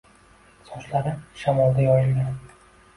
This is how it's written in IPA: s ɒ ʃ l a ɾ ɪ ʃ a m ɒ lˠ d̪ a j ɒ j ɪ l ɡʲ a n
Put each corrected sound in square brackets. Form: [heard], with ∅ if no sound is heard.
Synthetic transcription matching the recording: s ɒ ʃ l a ɾ ɪ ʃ a m ɒ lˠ d̪ a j ɒ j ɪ l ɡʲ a n

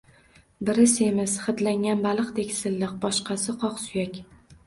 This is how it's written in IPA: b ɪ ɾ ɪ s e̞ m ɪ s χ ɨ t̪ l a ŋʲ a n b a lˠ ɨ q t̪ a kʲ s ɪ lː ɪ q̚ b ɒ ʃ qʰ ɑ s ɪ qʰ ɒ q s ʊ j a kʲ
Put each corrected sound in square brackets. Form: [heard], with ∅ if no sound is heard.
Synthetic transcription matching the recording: b ɪ ɾ ɪ s e̞ m ɪ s χ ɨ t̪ l a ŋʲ a n b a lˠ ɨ q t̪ [e] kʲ s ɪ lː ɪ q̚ b ɒ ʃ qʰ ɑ s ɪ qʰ ɒ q s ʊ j a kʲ

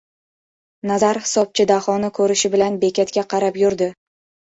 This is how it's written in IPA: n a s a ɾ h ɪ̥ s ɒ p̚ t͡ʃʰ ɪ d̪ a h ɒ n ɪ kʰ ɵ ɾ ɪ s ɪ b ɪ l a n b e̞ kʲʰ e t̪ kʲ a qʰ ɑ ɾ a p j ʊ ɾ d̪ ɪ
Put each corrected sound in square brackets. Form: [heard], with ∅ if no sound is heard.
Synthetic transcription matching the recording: n a [z] a ɾ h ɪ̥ s ɒ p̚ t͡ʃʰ ɪ d̪ a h ɒ n ɪ kʰ ɵ ɾ ɪ [ʃ] ɪ b ɪ l a n b e̞ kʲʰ [a] t̪ kʲ a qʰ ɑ ɾ a p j ʊ ɾ d̪ ɪ

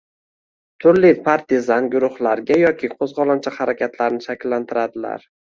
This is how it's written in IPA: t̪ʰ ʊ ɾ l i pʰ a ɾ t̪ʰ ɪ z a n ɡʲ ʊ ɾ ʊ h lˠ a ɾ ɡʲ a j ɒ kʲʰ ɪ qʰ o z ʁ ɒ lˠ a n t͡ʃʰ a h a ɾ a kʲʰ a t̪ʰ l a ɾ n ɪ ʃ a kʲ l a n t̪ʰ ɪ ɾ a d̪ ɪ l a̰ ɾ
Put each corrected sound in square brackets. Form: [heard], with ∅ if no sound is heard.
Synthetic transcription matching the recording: t̪ʰ ʊ ɾ l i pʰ a ɾ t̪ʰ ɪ z a n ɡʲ ʊ ɾ ʊ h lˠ a ɾ ɡʲ a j ɒ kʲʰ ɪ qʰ o z ʁ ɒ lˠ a n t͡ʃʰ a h a ɾ a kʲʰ a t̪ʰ l a ɾ n ɪ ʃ a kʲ [lː] a n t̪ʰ ɪ ɾ a d̪ ɪ l a̰ ɾ

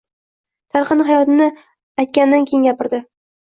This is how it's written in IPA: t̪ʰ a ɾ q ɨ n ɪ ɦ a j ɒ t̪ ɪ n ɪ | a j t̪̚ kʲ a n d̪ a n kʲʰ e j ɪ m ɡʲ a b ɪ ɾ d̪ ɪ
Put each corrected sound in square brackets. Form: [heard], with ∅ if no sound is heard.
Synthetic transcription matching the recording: t̪ʰ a ɾ q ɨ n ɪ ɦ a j ɒ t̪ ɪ n ɪ | a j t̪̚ kʲ a n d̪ a n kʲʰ e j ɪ [ŋ] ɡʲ a [p] ɪ ɾ d̪ ɪ

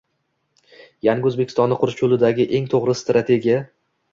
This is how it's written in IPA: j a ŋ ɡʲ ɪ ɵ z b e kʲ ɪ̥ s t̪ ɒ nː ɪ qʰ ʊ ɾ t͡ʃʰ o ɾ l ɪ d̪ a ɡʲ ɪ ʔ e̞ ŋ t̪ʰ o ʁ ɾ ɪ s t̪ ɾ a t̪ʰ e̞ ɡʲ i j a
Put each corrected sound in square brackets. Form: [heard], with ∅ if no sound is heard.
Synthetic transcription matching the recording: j a ŋ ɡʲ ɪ ɵ z b e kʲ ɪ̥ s t̪ ɒ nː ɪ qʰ ʊ ɾ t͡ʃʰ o [∅] l ɪ d̪ a ɡʲ ɪ ʔ e̞ ŋ t̪ʰ o ʁ ɾ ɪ s t̪ ɾ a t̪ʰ e̞ ɡʲ i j a

